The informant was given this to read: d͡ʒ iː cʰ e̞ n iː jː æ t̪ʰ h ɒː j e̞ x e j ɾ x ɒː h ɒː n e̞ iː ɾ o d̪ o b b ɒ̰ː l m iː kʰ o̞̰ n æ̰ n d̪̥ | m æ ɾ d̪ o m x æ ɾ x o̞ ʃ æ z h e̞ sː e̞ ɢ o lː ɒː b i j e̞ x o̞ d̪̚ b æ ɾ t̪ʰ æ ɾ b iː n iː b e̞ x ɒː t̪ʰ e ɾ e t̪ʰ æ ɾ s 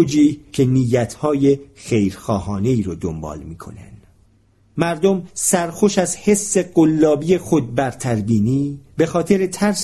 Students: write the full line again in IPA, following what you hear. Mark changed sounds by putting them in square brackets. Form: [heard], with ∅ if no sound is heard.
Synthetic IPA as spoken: d͡ʒ iː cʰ e̞ n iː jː æ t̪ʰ h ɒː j e̞ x e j ɾ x ɒː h ɒː n e̞ iː ɾ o d̪ o [m] b ɒ̰ː l m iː kʰ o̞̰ n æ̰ n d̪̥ | m æ ɾ d̪ o m [s] æ ɾ x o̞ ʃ æ z h e̞ sː e̞ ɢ o lː ɒː b i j e̞ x o̞ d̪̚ b æ ɾ t̪ʰ æ ɾ b iː n iː b e̞ x ɒː t̪ʰ e ɾ e t̪ʰ æ ɾ s